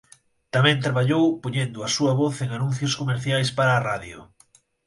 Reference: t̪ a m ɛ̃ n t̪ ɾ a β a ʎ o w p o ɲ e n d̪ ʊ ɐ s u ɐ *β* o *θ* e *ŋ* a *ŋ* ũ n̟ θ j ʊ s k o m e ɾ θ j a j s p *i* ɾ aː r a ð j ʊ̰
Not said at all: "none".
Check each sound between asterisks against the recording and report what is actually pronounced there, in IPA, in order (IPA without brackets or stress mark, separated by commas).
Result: β, θ, ŋ, n, a